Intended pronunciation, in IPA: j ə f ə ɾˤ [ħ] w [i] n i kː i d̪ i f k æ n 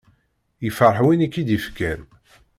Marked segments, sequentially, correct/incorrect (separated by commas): correct, correct